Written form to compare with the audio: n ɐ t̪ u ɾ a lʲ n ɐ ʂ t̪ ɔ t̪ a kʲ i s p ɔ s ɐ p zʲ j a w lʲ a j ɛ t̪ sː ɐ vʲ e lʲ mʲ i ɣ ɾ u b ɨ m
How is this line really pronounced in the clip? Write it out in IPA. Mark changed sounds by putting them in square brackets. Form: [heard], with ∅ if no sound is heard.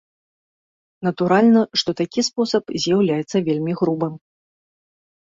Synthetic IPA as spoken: n ɐ t̪ u ɾ a lʲ n ɐ ʂ t̪ ɔ t̪ a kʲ i s p ɔ s ɐ p zʲ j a w lʲ a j ɛ t̪ sː ɐ vʲ e lʲ mʲ i ɣ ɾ u b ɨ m